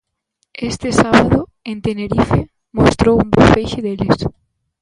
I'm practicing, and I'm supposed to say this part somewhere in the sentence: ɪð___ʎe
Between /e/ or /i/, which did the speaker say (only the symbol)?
e